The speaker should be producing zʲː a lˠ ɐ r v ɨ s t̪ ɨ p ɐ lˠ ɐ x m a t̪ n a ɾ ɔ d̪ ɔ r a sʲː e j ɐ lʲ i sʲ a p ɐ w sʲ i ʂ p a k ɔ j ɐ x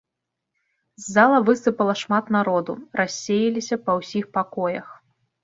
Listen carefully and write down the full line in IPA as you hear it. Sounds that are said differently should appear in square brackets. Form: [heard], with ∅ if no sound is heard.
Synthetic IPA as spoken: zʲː a lˠ ɐ [∅] v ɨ s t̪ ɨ p ɐ lˠ ɐ [ʂ] m a t̪ n a ɾ ɔ d̪ [u] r a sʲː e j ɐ lʲ i sʲ [ɐ] p ɐ w sʲ i [x] p a k ɔ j ɐ x